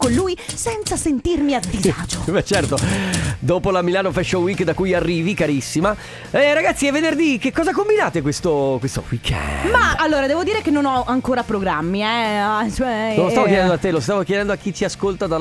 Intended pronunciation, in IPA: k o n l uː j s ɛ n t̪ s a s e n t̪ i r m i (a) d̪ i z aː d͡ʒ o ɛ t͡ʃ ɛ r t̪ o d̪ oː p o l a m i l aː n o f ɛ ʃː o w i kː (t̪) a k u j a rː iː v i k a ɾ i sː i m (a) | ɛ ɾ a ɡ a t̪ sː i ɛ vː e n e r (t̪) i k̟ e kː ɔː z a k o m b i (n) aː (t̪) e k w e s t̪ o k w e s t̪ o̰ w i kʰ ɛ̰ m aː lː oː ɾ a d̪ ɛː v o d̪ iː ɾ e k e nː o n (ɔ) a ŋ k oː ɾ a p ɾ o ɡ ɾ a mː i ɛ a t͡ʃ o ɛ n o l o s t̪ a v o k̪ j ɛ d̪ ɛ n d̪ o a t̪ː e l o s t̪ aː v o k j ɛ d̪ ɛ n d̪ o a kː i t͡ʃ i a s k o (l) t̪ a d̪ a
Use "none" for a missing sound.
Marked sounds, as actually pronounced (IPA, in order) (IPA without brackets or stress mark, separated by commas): a, d̪, a, d̪, n, t̪, ɔ, l